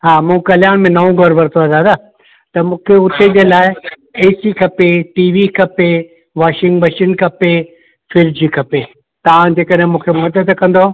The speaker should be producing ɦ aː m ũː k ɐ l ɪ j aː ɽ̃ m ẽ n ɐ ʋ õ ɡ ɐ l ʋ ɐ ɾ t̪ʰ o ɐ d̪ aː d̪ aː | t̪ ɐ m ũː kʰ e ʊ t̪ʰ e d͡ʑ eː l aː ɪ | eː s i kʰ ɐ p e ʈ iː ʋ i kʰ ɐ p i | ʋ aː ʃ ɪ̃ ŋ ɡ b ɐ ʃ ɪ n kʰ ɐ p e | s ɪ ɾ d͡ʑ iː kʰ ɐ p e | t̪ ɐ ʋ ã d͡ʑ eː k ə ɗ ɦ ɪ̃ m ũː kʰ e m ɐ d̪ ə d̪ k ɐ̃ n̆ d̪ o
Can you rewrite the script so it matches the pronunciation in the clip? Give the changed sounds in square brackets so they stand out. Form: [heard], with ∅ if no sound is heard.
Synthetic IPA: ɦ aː m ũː k ɐ l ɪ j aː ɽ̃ m ẽ n ɐ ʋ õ ɡ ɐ [ɾ] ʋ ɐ ɾ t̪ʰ o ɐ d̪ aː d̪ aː | t̪ ɐ m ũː kʰ e ʊ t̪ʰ e d͡ʑ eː l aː ɪ | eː s i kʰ ɐ p e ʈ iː ʋ i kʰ ɐ p [e] | ʋ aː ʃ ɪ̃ ŋ ɡ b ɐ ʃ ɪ n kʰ ɐ p e | [f] ɪ ɾ d͡ʑ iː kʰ ɐ p e | t̪ ɐ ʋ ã d͡ʑ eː k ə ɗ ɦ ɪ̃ m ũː kʰ e m ɐ d̪ ə d̪ k ɐ̃ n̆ d̪ o